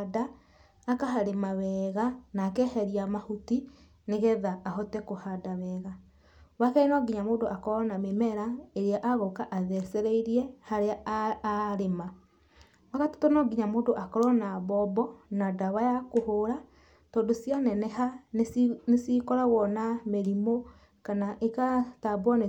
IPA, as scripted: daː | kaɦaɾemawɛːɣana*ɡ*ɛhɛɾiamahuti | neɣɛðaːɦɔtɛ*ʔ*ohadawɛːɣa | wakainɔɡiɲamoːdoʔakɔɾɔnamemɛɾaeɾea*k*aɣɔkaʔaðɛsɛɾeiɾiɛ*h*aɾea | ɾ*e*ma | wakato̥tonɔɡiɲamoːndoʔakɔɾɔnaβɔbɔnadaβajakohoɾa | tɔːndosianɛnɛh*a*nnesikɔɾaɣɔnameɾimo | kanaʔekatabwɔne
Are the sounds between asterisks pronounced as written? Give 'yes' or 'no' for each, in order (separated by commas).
no, no, no, yes, yes, yes